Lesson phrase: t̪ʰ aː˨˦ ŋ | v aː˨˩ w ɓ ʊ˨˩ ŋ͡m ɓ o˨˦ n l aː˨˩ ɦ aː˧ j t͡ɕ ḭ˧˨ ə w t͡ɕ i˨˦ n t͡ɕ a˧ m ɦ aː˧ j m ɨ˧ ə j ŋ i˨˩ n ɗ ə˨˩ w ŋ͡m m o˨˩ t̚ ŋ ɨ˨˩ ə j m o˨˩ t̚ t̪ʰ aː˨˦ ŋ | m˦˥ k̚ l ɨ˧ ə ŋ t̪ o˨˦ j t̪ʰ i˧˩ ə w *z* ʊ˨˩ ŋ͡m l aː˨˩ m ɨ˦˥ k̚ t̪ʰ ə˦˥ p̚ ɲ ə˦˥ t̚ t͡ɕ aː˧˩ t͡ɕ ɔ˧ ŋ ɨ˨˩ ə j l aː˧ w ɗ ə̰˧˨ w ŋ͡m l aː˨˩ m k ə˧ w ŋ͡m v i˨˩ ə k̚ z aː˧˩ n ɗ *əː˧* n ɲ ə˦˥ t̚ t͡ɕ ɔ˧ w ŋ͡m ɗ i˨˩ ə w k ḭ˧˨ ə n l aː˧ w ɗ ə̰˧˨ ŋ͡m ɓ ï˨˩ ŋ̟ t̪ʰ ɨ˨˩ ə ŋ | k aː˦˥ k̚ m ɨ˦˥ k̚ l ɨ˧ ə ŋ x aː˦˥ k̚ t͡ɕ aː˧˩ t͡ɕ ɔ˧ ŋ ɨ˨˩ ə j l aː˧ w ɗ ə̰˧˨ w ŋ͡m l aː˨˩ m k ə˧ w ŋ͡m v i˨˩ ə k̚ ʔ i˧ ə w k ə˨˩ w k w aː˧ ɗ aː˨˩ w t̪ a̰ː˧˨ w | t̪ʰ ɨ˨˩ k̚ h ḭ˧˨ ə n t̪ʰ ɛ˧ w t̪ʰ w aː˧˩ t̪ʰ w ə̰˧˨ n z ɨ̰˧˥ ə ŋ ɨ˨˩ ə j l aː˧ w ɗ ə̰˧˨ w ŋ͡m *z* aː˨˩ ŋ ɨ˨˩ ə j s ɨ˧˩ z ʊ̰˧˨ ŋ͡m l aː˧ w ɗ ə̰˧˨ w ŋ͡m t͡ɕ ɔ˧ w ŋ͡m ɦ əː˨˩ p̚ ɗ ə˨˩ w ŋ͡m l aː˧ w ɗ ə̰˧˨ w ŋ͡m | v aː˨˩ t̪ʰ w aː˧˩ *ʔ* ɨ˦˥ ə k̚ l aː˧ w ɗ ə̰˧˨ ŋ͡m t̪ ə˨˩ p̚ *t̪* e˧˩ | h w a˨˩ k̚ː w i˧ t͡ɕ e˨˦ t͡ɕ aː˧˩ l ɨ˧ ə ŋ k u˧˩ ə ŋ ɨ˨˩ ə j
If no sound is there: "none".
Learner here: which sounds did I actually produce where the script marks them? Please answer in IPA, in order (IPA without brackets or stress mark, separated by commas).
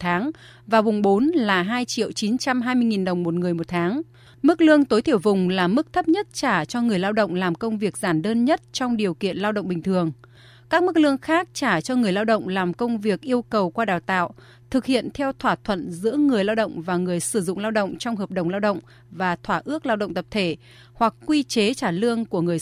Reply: v, əː˧, v, ʔ, t̪ʰ